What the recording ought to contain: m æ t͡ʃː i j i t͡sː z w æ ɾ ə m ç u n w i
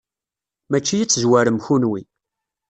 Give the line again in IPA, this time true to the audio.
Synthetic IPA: m æ t͡ʃː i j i t͡sː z w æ ɾ ə m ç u n w i